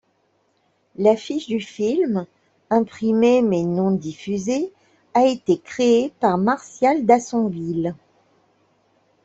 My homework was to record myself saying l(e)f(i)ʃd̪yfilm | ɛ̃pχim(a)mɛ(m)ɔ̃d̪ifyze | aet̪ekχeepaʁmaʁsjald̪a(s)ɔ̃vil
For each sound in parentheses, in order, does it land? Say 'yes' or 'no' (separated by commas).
no, yes, no, no, yes